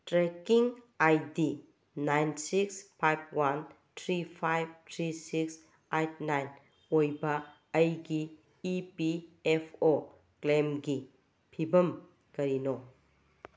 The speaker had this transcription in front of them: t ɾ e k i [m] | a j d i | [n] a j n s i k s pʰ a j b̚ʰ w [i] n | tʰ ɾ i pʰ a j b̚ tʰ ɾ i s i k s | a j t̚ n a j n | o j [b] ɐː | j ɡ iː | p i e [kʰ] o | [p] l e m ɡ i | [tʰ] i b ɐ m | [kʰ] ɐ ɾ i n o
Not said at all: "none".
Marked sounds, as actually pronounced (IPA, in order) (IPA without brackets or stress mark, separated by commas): ŋ, n, a, b, pʰ, k, pʰ, k